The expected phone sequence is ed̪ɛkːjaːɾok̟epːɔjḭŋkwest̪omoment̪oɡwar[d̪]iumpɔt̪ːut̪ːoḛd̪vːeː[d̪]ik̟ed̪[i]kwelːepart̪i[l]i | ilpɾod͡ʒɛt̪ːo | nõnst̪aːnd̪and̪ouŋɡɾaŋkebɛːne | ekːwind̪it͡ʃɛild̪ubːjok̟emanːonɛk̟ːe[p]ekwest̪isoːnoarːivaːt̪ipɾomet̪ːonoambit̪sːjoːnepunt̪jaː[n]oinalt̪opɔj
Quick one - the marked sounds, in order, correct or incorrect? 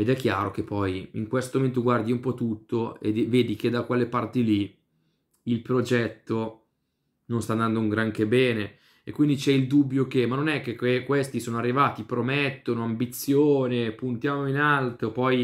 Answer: correct, correct, incorrect, correct, incorrect, incorrect

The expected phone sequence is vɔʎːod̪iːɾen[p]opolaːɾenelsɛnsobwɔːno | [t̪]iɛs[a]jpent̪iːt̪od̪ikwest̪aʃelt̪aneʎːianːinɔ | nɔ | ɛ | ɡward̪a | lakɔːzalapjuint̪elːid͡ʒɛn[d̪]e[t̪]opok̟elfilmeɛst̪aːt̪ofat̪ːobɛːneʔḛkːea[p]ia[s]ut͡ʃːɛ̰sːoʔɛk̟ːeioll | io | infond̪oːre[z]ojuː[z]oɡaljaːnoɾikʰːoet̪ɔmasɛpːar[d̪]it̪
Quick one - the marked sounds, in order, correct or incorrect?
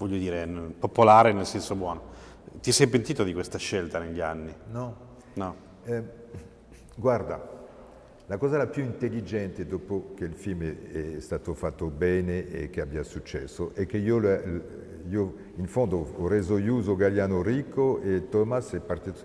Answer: correct, correct, incorrect, incorrect, incorrect, incorrect, correct, correct, correct, incorrect

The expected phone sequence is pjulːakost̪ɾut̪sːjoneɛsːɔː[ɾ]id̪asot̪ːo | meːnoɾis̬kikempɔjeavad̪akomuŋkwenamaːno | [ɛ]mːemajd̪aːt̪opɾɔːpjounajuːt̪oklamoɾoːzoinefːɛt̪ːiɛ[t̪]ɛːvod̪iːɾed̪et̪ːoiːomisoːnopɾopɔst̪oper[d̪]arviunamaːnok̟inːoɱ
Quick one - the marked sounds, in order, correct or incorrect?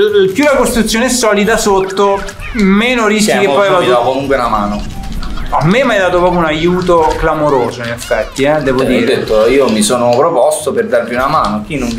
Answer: incorrect, incorrect, incorrect, correct

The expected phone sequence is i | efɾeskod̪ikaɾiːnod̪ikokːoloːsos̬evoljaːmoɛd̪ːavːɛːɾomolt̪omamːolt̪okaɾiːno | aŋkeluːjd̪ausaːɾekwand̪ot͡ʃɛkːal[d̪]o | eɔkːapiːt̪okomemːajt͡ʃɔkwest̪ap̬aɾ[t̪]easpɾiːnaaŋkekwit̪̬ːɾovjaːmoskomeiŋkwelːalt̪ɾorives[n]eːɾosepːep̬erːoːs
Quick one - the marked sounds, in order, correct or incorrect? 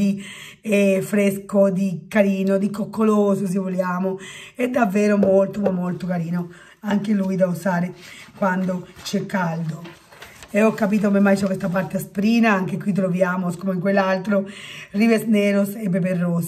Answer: correct, correct, correct

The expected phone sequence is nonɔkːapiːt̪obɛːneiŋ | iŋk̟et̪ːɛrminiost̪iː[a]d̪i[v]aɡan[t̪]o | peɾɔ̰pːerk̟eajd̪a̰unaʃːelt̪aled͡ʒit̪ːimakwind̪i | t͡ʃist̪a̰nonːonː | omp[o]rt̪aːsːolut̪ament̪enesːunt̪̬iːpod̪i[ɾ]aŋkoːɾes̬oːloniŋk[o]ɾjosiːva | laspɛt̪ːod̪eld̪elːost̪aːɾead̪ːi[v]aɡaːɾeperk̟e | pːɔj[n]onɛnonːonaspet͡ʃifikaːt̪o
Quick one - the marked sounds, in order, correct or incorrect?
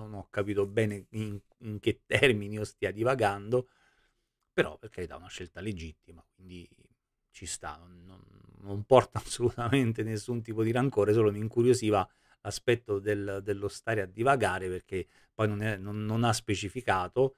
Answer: correct, correct, incorrect, incorrect, correct, incorrect, correct, correct

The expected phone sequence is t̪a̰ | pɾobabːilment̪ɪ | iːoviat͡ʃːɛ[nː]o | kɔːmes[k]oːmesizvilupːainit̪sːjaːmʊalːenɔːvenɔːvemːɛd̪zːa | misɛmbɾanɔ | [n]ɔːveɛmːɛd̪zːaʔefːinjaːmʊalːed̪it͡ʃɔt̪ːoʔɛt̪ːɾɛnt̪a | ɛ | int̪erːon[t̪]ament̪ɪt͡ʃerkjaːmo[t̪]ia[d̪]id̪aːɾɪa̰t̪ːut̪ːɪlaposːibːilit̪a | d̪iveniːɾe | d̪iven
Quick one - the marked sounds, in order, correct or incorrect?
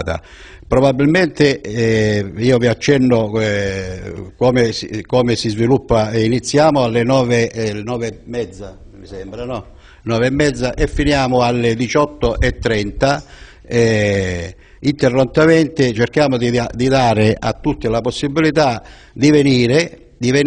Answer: correct, correct, correct, correct, incorrect, correct

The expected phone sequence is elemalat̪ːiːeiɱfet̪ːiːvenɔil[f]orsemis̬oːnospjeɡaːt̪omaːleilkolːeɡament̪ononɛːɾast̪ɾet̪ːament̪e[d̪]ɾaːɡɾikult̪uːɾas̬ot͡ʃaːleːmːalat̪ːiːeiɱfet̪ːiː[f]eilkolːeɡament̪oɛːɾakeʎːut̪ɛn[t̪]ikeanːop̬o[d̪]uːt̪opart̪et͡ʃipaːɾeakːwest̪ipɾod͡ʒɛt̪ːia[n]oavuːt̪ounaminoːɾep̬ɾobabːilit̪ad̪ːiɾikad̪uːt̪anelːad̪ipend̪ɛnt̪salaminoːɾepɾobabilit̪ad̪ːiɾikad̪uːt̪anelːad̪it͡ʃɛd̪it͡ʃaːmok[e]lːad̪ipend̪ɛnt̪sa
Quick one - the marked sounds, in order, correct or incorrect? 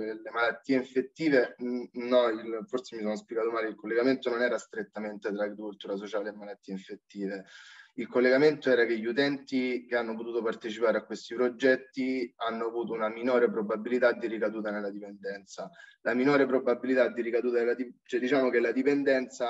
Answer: correct, incorrect, incorrect, correct, incorrect, incorrect, correct

